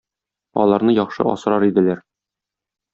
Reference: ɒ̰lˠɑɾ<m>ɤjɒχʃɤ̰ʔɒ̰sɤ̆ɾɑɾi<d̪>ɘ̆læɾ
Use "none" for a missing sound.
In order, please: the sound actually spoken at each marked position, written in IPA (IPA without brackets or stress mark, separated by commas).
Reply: n, d̪